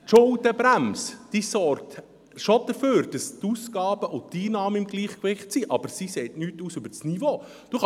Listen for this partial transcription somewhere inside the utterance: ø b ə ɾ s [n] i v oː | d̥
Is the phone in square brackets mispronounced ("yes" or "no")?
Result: no